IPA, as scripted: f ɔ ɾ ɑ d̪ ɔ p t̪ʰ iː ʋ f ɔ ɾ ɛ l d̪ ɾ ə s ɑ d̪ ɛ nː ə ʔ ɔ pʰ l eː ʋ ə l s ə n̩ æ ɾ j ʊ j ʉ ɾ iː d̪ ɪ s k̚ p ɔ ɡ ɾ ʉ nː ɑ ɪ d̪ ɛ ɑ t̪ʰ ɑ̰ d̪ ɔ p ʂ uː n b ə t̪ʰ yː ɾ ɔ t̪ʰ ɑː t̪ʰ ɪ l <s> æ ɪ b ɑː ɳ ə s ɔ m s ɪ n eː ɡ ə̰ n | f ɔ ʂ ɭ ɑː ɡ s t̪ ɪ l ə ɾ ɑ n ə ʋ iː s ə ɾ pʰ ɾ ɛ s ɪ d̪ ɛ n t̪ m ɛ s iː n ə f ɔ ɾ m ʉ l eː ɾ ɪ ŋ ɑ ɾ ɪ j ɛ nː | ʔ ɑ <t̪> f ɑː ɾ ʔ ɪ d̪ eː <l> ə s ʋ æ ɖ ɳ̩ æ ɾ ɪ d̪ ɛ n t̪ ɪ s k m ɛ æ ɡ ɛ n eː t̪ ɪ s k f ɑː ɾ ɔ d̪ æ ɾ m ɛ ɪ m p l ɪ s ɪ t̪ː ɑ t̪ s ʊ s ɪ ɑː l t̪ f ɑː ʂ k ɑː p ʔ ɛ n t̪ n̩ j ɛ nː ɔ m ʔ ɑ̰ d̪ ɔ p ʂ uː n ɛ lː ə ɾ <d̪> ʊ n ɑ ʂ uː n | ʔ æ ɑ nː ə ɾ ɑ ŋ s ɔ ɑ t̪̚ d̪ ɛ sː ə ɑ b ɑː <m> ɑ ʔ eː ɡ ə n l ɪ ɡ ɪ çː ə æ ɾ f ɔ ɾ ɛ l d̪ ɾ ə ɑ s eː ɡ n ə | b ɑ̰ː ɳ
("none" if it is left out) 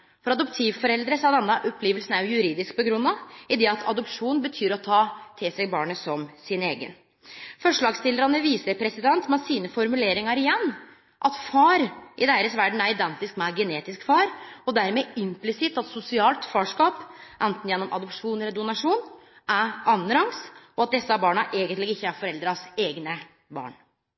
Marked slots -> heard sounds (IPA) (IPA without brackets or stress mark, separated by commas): s, t̪, ɾ, d̪, ɳ